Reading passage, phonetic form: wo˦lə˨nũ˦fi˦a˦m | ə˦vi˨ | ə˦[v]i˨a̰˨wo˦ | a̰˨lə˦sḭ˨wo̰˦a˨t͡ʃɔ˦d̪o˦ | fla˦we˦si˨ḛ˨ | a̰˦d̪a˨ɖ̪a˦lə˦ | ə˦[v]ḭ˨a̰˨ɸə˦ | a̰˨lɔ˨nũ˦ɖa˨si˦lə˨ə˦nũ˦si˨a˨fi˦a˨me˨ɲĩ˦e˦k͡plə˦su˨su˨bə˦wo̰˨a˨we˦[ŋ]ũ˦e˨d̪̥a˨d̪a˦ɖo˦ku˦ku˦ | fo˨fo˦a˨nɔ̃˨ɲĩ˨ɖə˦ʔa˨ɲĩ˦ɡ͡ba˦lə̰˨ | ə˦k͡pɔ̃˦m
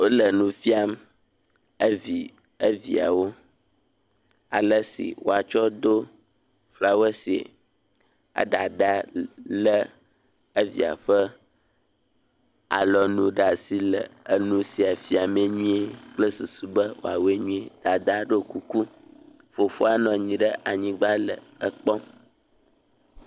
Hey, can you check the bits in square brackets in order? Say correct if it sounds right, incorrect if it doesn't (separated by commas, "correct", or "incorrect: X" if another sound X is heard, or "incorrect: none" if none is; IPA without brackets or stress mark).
correct, correct, incorrect: ɲ